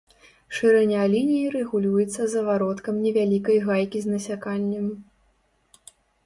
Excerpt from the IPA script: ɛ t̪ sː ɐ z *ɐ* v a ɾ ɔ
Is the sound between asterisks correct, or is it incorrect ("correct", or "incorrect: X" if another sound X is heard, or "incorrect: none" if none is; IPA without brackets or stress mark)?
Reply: correct